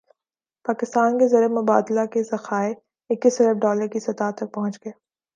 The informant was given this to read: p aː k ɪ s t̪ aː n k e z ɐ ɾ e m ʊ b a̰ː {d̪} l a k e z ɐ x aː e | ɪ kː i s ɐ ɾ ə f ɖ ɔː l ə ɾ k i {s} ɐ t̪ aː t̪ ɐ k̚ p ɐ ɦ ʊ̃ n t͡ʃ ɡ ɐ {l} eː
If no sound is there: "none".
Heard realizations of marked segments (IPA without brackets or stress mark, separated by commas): d̪, s, none